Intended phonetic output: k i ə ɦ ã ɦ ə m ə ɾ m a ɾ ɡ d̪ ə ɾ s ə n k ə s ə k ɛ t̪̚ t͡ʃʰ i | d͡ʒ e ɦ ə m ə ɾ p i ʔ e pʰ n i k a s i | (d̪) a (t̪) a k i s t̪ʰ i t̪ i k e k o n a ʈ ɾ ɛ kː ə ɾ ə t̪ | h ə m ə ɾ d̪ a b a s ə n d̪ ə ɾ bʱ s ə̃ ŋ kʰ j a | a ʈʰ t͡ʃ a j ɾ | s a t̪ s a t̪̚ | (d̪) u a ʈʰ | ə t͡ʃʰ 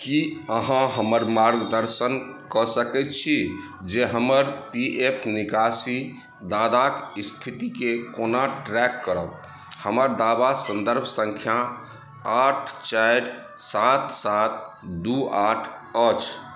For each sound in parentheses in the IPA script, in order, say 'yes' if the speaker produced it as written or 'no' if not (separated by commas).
yes, no, yes